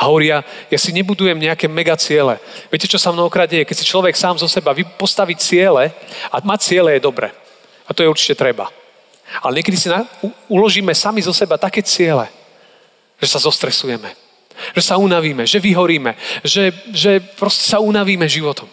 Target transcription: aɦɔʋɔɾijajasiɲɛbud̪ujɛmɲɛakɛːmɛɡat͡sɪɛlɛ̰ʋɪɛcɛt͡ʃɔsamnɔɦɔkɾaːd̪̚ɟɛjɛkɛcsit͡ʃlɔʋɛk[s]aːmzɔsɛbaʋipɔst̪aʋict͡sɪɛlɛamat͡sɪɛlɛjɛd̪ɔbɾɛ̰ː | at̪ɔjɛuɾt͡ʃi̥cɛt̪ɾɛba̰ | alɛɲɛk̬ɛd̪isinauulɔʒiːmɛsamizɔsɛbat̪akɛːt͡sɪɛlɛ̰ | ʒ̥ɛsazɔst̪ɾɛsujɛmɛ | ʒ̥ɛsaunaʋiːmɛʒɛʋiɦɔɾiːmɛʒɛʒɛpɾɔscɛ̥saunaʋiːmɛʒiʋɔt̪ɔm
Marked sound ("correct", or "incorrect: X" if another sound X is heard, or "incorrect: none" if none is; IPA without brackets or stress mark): correct